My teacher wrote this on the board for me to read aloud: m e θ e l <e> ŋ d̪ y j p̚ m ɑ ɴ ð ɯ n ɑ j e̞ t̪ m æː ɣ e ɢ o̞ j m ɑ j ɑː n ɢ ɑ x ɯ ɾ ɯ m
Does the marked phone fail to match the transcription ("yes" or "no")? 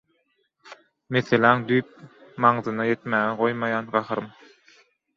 yes